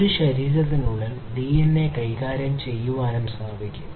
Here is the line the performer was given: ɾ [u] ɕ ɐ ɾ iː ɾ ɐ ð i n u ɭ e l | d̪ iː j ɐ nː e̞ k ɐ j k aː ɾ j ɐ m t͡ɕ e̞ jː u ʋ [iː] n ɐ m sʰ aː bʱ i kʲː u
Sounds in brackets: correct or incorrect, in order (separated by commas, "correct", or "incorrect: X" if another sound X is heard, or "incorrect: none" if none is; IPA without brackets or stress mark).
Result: correct, incorrect: aː